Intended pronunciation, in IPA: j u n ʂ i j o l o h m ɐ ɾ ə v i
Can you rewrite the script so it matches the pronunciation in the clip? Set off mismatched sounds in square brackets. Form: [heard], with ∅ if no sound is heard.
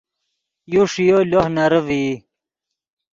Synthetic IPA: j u [∅] ʂ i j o l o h [n] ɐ ɾ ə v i